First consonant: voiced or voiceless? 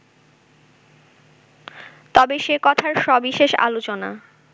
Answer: voiceless